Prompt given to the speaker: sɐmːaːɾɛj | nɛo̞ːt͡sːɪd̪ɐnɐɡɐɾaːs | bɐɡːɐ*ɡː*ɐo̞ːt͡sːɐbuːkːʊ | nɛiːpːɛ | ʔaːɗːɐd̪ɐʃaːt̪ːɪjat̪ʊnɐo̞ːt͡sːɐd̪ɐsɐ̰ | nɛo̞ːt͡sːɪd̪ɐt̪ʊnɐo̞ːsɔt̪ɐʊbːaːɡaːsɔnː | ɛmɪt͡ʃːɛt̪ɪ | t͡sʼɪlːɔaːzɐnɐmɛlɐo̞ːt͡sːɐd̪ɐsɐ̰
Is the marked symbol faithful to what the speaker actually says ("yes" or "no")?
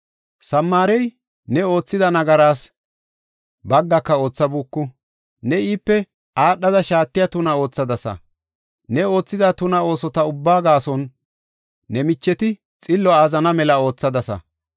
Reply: no